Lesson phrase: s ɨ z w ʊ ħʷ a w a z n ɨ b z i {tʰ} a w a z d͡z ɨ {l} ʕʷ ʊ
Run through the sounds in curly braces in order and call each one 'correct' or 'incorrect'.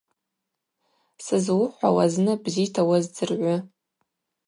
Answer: correct, incorrect: r

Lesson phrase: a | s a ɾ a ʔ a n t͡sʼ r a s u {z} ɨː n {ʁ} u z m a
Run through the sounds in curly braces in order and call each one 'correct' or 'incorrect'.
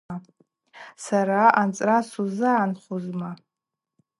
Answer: correct, incorrect: χ

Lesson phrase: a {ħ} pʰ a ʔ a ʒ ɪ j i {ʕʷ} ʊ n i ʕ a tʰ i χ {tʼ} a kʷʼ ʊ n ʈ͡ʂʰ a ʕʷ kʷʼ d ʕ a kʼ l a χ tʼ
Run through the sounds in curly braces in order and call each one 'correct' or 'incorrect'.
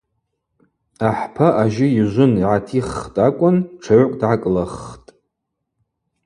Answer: correct, incorrect: ʒʷ, correct

